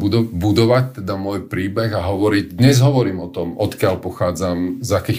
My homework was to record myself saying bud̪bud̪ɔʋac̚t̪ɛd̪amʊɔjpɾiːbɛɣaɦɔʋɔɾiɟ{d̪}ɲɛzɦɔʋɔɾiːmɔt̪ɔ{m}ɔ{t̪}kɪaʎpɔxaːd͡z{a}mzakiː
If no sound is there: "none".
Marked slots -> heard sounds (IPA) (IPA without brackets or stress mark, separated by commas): d̪, m, t̪, a